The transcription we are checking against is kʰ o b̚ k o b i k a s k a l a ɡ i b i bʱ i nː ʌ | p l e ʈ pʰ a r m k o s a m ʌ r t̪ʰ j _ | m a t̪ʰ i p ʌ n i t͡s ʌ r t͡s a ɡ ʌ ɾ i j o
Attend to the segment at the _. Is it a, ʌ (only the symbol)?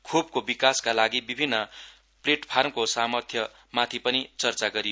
ʌ